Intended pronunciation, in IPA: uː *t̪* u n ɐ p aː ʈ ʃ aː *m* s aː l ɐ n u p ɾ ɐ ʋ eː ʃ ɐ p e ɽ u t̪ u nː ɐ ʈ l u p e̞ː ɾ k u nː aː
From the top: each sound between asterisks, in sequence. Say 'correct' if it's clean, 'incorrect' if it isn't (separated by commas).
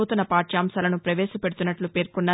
correct, correct